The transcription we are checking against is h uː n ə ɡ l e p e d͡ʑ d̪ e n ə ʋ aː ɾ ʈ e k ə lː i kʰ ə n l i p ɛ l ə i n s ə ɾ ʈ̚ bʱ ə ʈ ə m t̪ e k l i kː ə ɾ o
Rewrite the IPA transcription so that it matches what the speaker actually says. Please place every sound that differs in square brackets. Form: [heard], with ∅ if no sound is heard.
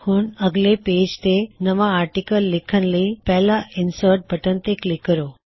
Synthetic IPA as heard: h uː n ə ɡ l e p e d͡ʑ [t̪] e n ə ʋ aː ɾ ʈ [i] k ə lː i kʰ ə n l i p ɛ l [a] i n s ə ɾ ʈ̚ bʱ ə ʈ ə [n] t̪ e k l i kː ə ɾ o